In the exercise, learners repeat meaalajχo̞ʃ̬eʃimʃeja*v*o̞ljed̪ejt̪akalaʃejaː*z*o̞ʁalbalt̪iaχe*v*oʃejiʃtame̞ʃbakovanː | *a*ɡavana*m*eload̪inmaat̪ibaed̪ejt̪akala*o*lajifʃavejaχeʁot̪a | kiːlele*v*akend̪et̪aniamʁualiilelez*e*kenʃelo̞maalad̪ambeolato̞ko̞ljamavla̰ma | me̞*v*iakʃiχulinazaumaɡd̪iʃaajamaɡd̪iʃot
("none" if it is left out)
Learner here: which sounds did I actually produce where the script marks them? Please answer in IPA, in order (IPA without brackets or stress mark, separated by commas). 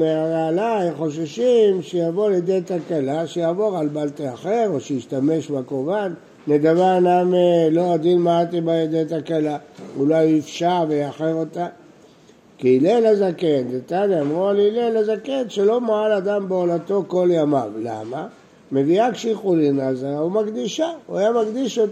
v, v, ʁ, e, m, u, z, a, v